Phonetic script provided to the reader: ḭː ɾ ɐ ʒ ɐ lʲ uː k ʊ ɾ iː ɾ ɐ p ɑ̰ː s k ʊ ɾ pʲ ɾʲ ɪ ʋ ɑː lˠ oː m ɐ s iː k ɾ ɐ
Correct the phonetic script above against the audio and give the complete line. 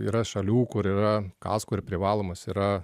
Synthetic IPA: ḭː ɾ ɐ ʃ ɐ lʲ uː k ʊ ɾ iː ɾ ɐ k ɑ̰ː s k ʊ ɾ pʲ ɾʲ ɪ ʋ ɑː lˠ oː m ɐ s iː ɾ ɐ